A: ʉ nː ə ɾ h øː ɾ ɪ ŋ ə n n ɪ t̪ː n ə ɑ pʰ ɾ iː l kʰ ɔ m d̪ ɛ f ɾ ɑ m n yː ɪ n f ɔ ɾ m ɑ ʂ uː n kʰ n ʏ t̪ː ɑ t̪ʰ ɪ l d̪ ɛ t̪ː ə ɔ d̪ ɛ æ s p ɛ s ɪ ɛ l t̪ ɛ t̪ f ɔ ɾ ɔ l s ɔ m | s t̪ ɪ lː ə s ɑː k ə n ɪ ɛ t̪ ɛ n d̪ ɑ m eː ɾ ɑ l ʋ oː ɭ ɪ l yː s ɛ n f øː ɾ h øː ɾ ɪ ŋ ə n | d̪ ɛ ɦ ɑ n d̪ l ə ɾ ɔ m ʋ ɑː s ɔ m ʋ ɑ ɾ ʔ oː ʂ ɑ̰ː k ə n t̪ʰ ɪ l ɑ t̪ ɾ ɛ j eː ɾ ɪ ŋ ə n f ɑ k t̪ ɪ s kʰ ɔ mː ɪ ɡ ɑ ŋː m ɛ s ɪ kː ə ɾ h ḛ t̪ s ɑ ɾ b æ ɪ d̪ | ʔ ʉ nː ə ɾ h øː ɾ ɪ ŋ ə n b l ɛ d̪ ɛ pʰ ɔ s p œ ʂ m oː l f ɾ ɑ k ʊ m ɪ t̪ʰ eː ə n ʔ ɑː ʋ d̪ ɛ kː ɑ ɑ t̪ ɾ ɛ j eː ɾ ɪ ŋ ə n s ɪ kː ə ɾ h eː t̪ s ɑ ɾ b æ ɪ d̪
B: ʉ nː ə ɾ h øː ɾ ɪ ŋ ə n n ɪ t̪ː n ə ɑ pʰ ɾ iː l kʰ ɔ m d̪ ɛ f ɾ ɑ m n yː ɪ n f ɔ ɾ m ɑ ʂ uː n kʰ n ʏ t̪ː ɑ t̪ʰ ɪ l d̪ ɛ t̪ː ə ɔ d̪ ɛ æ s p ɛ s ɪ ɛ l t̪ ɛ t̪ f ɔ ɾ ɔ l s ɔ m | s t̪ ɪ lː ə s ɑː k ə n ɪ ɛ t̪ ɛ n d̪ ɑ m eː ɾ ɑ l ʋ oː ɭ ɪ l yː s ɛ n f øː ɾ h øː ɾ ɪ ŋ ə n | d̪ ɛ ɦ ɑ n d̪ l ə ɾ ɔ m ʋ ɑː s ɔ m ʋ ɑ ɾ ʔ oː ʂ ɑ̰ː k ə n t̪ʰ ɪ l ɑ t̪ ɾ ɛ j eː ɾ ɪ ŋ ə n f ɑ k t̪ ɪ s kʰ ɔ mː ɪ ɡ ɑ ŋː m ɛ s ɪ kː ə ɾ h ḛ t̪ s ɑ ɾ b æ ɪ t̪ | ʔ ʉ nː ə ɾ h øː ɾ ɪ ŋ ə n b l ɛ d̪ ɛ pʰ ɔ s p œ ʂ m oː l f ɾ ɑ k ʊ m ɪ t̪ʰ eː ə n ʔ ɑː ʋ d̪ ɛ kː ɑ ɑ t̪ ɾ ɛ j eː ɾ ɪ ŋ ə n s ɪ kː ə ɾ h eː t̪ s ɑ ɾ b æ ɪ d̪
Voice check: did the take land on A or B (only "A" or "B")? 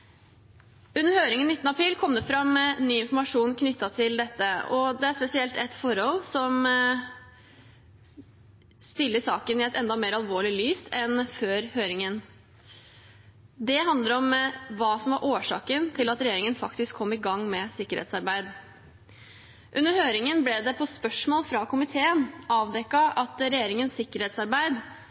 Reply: A